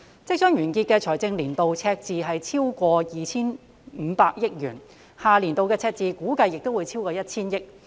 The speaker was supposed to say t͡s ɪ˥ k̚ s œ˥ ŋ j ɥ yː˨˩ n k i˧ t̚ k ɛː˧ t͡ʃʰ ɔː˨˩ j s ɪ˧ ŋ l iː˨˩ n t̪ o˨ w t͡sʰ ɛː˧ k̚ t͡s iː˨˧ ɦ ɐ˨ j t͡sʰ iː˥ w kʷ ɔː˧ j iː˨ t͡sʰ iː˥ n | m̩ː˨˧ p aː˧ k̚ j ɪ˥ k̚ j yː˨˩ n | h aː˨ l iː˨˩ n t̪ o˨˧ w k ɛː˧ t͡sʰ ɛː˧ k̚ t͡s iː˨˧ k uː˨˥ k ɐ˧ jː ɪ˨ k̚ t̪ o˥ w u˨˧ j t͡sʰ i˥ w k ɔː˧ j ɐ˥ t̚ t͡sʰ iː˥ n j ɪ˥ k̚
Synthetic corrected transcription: t͡s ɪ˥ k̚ s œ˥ ŋ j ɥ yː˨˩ n k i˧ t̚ k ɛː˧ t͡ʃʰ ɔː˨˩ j t͡s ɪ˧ ŋ l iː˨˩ n t̪ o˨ w t͡sʰ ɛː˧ k̚ t͡s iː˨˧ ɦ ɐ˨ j t͡sʰ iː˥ w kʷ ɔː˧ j iː˨ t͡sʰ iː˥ n | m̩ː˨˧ p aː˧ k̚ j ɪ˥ k̚ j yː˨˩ n | h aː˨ l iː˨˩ n t̪ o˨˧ w k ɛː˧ t͡sʰ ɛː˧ k̚ t͡s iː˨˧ k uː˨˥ k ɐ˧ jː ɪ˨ k̚ t̪ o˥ w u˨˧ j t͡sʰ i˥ w k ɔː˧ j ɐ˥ t̚ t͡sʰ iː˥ n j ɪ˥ k̚